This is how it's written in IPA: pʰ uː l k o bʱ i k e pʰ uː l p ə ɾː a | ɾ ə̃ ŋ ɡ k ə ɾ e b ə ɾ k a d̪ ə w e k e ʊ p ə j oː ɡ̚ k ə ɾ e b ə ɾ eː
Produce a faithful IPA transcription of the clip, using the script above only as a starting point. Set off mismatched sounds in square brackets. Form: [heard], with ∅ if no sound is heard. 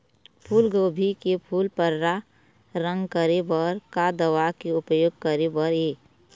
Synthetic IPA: pʰ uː l [ɡ] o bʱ i k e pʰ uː l p ə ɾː a | ɾ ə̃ ŋ ɡ k ə ɾ e b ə ɾ k a d̪ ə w [a] k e ʊ p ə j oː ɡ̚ k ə ɾ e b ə ɾ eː